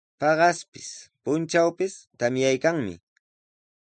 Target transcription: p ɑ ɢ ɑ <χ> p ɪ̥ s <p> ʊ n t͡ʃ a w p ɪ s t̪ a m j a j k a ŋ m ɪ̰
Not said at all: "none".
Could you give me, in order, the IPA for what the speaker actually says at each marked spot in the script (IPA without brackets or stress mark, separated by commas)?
s, p